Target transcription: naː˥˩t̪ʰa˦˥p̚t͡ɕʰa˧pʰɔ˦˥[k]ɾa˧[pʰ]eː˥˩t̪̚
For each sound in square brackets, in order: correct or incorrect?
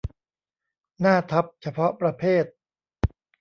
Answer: incorrect: p, correct

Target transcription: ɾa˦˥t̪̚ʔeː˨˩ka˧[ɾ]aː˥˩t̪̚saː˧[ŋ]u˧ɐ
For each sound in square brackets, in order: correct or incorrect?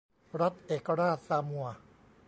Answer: correct, incorrect: m

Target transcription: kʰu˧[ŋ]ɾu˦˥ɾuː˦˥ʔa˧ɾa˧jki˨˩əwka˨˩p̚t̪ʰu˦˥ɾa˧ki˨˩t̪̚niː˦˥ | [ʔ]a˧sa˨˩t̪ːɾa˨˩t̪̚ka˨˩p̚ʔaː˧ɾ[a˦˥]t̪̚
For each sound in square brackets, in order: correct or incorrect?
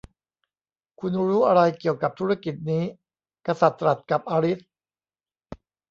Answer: incorrect: n, incorrect: k, incorrect: i˦˥

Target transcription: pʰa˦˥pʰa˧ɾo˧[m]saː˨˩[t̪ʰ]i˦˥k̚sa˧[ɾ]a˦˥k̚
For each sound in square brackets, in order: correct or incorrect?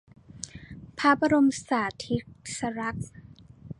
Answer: correct, correct, correct

